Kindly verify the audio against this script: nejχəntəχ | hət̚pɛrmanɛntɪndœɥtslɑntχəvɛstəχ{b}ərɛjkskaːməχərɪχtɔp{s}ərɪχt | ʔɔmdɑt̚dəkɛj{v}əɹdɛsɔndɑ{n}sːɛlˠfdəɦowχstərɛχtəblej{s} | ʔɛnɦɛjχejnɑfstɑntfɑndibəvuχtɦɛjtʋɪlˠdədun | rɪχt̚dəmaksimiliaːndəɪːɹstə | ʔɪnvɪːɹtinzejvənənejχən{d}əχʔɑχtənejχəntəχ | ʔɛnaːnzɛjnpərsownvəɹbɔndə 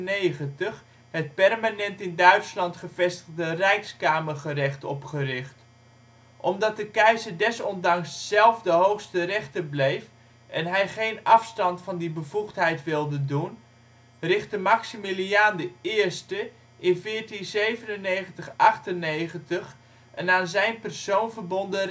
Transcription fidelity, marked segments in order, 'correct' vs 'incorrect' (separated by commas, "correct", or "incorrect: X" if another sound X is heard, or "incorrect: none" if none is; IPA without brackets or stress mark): incorrect: d, incorrect: χ, incorrect: z, incorrect: ŋ, incorrect: f, incorrect: t